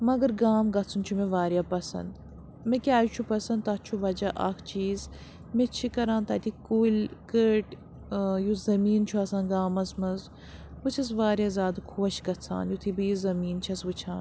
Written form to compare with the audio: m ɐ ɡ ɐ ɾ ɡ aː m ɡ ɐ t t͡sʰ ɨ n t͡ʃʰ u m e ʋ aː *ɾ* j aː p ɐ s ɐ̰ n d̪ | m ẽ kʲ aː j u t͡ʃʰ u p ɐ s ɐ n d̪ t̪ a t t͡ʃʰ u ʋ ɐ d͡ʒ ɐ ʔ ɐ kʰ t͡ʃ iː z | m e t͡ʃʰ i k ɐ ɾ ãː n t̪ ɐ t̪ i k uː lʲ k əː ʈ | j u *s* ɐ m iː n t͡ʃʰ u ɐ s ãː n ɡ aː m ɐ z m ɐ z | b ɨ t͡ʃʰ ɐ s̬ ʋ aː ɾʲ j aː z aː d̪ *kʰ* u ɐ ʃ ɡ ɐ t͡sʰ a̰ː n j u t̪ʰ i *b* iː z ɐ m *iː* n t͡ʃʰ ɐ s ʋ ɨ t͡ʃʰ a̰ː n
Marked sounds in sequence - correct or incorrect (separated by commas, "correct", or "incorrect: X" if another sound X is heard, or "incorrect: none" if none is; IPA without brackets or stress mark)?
correct, incorrect: z, correct, correct, correct